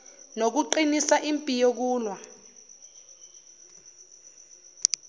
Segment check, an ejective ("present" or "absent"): present